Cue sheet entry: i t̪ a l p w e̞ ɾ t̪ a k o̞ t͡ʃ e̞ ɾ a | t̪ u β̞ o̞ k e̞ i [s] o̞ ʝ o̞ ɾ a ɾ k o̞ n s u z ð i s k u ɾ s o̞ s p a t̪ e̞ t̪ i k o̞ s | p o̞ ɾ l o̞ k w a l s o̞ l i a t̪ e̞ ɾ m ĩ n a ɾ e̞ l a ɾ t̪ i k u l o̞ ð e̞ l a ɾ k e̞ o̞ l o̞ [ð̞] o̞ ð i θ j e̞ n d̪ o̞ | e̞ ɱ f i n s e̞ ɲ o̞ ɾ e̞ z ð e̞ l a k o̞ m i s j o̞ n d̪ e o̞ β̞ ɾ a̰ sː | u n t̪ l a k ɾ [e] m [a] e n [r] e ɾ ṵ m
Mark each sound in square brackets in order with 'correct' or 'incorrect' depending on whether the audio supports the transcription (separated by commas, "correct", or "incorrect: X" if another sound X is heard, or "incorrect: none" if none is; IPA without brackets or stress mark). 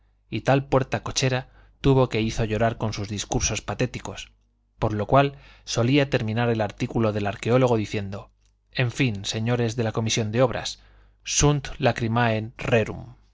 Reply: incorrect: θ, incorrect: ɣ̞, incorrect: i, correct, correct